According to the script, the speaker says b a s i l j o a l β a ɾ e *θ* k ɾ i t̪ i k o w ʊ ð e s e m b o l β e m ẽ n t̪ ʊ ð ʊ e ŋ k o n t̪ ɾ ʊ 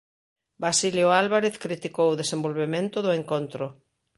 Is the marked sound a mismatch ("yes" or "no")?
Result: no